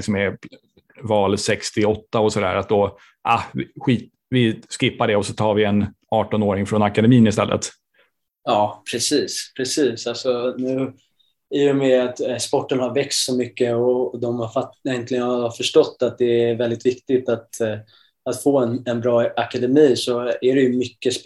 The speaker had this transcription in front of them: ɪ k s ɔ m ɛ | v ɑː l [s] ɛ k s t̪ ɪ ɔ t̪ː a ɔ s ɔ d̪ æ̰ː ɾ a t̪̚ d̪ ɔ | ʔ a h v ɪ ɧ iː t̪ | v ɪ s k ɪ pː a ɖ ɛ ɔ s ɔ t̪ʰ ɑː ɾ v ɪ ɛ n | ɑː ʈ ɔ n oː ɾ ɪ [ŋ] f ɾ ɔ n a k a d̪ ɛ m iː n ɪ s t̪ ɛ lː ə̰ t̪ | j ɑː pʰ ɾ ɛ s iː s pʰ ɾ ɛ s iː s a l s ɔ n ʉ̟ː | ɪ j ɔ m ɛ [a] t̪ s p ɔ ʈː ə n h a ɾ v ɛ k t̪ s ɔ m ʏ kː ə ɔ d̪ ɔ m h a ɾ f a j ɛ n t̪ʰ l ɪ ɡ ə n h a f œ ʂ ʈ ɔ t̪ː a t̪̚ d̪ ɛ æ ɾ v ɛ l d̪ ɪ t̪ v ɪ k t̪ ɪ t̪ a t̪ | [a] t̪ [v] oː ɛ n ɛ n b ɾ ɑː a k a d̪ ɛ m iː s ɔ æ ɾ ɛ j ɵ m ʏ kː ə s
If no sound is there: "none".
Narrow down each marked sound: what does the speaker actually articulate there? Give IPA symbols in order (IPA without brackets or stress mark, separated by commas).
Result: s, ŋ, a, a, f